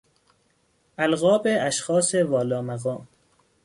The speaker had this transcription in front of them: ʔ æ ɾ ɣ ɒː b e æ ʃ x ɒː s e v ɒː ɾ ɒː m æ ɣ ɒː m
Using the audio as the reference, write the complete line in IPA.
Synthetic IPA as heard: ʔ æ l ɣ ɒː b e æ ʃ x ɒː s e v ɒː l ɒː m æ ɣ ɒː m